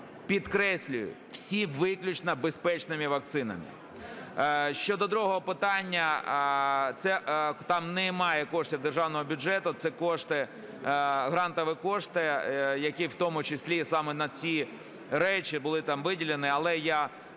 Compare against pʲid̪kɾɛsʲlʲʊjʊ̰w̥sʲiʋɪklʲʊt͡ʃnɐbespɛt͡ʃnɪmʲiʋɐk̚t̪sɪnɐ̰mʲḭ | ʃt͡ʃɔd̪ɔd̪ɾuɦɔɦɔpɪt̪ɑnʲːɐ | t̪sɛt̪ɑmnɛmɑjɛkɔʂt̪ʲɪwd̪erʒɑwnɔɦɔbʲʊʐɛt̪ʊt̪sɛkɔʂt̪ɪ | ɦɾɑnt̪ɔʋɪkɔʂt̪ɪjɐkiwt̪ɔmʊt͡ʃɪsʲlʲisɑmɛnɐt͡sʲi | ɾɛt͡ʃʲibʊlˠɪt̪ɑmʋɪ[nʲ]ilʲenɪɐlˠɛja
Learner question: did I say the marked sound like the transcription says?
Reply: no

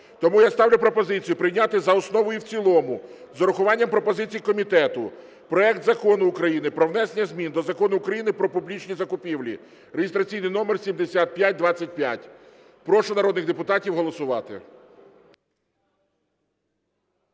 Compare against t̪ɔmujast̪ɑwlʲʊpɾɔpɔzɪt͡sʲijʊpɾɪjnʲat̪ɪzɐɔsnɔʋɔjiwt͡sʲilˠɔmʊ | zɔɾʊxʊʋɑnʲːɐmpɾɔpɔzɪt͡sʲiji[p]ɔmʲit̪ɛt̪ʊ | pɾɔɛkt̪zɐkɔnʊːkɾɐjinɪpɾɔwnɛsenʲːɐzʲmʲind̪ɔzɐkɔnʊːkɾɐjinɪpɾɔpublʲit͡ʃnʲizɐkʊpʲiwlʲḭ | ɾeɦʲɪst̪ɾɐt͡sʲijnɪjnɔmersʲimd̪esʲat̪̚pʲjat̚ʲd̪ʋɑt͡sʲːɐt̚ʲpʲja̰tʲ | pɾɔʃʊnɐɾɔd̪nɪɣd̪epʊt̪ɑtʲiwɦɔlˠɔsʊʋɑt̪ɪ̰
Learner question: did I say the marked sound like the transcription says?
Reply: no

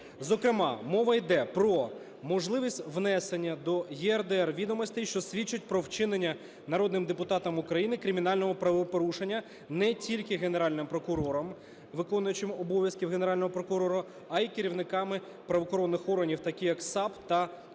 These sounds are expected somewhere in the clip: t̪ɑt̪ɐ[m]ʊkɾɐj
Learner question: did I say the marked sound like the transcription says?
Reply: yes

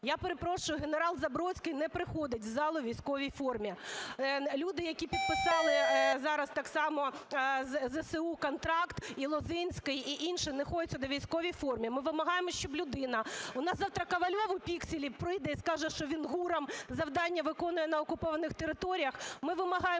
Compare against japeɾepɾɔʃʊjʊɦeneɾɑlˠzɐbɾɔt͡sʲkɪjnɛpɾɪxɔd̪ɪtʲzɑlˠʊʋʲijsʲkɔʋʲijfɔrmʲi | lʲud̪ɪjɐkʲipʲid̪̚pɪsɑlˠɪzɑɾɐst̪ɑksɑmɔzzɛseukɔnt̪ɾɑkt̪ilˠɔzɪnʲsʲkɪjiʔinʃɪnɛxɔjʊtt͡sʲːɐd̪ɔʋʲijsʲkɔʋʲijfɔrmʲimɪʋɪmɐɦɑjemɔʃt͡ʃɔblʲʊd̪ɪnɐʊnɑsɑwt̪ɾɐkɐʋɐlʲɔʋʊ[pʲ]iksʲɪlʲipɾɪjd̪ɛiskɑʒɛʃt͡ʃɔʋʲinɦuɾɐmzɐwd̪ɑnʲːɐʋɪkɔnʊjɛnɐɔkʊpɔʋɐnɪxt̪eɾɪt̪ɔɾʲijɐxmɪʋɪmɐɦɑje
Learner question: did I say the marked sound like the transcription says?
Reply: yes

